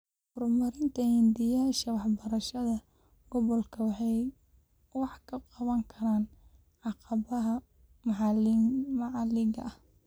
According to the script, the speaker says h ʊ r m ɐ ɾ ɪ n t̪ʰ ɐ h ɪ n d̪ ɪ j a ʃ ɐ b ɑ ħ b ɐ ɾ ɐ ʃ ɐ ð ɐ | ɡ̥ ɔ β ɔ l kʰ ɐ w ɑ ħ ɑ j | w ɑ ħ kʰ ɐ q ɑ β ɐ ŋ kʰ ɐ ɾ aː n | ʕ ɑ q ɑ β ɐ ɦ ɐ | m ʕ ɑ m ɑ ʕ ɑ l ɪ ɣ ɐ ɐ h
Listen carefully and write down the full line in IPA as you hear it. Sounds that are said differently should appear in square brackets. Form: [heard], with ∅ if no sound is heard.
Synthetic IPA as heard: h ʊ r m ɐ ɾ ɪ n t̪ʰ ɐ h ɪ n d̪ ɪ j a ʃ ɐ [w] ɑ ħ b ɐ ɾ ɐ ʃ ɐ ð ɐ | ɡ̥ ɔ β ɔ l kʰ ɐ w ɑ ħ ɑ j | w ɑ ħ kʰ ɐ q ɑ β ɐ ŋ kʰ ɐ ɾ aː n | ʕ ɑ q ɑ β ɐ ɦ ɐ | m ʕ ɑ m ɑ ʕ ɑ l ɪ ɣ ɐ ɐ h